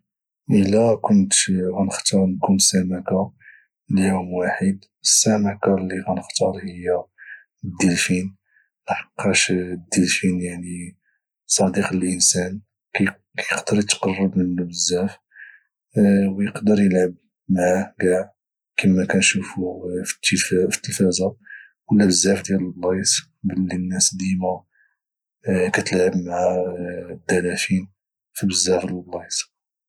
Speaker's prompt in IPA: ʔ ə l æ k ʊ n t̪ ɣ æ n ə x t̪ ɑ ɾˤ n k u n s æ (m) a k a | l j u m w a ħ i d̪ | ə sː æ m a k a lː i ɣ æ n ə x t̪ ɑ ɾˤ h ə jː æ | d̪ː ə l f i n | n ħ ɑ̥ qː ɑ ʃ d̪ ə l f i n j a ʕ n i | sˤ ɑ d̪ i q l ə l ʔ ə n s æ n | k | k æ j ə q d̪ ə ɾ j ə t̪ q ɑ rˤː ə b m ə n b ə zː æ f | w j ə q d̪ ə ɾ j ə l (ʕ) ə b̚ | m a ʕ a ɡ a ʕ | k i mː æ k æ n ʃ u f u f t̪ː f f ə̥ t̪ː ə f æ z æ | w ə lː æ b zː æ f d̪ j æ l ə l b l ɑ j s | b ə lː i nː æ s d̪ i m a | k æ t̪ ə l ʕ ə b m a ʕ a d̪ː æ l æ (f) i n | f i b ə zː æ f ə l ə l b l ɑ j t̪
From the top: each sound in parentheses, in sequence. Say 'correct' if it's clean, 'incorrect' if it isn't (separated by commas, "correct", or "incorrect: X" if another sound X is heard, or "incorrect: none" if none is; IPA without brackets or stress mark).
correct, correct, correct